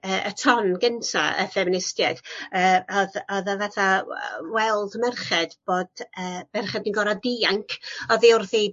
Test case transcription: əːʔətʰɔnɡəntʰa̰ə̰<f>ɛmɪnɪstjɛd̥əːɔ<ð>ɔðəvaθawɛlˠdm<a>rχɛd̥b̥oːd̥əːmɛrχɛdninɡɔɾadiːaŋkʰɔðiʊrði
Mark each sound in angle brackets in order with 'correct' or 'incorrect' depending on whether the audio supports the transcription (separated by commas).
correct, correct, incorrect